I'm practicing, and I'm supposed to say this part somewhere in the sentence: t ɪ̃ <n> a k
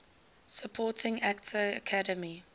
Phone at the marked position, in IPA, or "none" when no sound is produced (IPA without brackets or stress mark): ŋ